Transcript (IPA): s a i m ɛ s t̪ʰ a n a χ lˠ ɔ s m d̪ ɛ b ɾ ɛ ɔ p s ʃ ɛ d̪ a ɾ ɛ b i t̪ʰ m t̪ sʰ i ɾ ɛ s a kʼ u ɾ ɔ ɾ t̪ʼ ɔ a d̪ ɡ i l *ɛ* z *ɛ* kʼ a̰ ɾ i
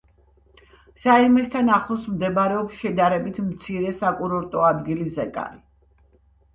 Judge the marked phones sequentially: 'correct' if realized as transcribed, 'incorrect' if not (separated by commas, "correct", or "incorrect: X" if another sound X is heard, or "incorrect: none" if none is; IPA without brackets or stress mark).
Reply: incorrect: i, correct